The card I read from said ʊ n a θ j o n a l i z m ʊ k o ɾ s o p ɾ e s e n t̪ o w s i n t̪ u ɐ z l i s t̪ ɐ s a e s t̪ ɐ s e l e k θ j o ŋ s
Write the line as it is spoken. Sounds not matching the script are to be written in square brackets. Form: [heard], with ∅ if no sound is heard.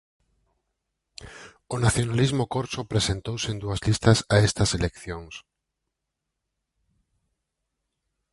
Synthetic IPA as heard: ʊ n a θ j o n a l i z m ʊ k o ɾ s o p ɾ e s e n t̪ o w s [e] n [d̪] u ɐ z l i s t̪ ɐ s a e s t̪ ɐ s e l e k θ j o ŋ s